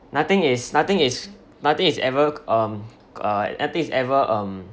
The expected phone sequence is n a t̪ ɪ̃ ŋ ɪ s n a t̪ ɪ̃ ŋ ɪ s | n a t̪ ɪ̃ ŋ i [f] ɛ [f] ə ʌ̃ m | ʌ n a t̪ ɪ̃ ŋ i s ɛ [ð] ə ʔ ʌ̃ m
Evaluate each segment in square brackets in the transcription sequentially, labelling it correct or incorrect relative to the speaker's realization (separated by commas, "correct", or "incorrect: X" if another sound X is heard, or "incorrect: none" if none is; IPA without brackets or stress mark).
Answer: incorrect: s, incorrect: v, incorrect: v